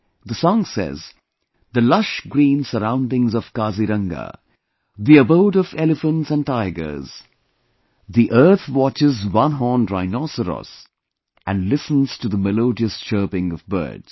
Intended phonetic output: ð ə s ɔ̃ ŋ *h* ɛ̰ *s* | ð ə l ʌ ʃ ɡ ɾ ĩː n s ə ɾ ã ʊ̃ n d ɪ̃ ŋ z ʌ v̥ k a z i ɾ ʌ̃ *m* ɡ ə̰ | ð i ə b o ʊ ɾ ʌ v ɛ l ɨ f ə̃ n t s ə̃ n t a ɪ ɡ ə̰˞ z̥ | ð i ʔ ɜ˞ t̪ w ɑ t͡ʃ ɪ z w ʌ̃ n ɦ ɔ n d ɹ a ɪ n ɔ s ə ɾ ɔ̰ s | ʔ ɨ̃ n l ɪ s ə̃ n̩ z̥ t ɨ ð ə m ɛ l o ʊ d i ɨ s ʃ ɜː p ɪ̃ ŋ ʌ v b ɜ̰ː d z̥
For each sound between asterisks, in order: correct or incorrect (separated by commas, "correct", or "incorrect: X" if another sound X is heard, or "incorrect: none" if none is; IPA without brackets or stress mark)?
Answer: incorrect: s, incorrect: z, incorrect: ŋ